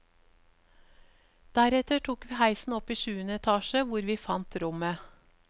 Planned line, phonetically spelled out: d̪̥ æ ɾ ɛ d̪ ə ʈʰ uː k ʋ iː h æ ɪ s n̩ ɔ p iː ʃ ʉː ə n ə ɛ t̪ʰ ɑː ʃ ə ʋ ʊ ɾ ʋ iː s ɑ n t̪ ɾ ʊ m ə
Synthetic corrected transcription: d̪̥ æ ɾ ɛ t̪ ə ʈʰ uː k ʋ iː h æ ɪ s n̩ ɔ p iː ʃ ʉː ə n ə ɛ t̪ʰ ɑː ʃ ə ʋ ʊ ɾ ʋ iː f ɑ n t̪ ɾ ʊ m ə